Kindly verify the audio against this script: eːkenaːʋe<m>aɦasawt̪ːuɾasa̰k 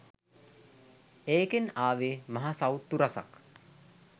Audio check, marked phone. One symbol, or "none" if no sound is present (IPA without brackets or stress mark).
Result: m